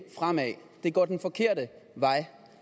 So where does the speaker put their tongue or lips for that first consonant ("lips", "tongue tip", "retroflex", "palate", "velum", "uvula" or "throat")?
lips